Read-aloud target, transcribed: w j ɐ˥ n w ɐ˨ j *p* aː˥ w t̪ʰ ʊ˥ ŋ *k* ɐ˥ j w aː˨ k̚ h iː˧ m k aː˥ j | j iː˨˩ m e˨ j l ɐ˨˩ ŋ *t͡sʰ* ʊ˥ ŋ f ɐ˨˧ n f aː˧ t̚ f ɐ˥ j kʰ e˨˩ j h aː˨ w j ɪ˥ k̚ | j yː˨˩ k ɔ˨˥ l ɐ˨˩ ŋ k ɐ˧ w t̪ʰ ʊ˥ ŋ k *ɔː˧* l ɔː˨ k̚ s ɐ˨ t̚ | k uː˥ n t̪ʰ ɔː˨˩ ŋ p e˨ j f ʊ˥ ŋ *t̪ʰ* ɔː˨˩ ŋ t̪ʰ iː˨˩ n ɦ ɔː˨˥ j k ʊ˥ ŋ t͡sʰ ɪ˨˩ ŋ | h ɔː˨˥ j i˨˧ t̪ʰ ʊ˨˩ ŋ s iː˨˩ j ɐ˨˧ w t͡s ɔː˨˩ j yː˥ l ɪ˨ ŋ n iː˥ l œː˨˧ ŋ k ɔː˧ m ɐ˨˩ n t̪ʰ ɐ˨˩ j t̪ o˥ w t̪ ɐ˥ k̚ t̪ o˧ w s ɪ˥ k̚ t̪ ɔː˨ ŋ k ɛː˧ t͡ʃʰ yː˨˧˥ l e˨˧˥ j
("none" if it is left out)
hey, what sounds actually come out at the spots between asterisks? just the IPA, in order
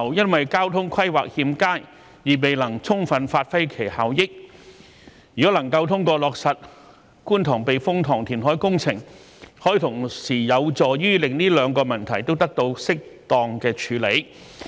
k, kʰ, t͡sʰ, ɔː˧, t̪ʰ

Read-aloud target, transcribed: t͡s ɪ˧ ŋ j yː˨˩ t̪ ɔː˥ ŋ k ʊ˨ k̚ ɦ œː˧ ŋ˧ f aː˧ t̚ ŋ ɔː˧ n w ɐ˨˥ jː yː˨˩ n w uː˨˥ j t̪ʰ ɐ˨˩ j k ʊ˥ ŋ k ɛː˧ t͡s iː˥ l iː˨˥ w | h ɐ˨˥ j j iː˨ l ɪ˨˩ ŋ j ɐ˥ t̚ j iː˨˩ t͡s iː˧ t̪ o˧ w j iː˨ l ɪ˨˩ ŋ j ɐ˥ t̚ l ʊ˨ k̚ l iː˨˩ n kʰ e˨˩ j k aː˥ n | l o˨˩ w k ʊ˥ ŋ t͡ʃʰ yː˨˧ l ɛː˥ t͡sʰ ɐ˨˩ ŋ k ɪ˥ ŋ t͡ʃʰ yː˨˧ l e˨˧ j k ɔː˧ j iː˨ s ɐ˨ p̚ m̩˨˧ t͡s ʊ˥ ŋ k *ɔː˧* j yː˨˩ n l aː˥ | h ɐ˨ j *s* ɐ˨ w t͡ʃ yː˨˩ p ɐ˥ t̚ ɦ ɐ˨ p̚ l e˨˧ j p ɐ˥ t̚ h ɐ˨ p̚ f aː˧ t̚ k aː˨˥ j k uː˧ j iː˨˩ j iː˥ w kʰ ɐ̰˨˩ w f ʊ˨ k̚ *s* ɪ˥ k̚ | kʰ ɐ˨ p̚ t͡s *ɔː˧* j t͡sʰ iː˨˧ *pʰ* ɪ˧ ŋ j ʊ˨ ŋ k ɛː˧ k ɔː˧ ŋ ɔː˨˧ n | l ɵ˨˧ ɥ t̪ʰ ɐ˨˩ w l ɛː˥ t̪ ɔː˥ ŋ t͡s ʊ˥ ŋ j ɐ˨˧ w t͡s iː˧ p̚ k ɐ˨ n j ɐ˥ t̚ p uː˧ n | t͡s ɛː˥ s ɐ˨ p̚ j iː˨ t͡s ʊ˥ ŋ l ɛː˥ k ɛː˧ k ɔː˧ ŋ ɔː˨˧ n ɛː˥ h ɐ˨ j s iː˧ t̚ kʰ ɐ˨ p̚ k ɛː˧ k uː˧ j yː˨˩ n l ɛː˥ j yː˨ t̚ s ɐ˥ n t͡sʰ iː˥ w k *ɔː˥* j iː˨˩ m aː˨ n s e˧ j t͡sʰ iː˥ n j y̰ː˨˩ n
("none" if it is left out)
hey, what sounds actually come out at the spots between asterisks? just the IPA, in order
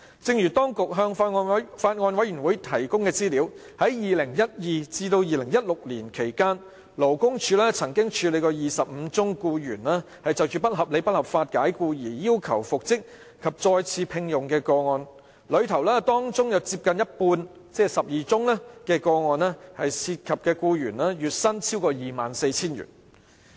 uː˧, t͡s, t͡s, ɔː˧, pʰ, ɔː˧

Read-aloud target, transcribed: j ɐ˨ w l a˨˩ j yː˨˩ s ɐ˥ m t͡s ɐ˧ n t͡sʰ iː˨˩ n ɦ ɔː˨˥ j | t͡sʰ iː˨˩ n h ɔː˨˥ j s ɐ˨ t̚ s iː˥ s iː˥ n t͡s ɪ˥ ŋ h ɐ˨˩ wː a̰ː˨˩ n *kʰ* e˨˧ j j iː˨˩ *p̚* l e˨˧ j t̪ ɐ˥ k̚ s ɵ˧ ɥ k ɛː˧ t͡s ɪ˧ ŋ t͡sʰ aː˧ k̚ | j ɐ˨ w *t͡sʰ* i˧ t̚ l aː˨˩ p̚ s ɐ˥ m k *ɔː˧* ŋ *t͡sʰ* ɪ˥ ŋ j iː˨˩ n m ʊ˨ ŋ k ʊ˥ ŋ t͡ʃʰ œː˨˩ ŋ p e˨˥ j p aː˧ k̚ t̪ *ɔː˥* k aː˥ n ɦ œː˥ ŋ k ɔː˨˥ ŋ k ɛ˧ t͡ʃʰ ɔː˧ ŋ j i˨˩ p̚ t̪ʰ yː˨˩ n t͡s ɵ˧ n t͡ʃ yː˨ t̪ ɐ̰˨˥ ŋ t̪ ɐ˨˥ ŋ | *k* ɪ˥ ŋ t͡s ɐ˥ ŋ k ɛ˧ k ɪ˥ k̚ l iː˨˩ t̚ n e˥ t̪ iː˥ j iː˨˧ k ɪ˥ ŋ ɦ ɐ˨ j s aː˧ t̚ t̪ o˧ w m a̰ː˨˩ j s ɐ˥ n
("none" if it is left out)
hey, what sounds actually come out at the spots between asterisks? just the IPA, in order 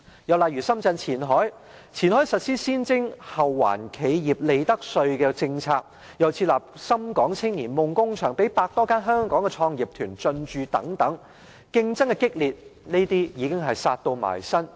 kʰ, p̚, t͡sʰ, ɔː˨˥, t͡sʰ, ɔː˥, k

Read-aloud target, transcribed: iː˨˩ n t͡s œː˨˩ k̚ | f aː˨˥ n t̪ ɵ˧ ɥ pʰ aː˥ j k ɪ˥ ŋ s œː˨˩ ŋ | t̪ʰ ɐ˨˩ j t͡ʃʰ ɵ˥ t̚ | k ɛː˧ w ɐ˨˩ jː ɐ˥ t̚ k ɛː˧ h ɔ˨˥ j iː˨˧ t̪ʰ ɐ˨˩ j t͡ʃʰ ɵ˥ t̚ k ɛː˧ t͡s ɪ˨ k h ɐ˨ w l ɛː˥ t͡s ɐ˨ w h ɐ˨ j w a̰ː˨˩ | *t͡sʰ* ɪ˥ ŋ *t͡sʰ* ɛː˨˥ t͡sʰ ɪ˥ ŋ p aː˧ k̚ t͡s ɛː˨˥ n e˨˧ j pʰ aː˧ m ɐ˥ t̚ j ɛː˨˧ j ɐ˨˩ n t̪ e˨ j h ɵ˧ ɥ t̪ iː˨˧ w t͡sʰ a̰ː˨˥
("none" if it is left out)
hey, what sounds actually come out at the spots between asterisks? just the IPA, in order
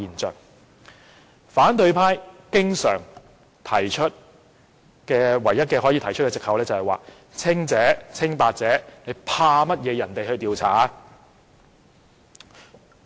t͡sʰ, t͡s

